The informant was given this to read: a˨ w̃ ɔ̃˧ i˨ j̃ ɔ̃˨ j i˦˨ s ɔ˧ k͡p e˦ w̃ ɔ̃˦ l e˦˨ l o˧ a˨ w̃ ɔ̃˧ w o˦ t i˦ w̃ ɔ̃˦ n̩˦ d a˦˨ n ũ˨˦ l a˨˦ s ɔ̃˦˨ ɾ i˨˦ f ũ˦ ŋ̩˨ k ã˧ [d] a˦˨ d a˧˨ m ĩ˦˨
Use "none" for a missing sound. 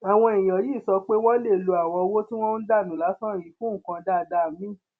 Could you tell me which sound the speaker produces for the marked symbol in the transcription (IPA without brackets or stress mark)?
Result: d